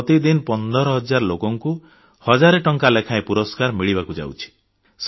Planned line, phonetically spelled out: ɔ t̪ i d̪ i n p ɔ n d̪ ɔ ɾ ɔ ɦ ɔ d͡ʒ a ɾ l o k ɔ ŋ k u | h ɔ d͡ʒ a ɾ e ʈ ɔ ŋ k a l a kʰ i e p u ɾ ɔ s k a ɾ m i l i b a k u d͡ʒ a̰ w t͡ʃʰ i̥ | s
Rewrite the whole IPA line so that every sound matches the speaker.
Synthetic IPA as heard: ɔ t̪ i d̪ i n p ɔ n d̪ ɔ ɾ ɔ ɦ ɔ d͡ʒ a ɾ l o k ɔ ŋ k u | h ɔ d͡ʒ a ɾ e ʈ ɔ ŋ k a l e kʰ a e p u ɾ ɔ s k a ɾ m i ɭ i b a k u d͡ʒ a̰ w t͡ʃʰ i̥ | s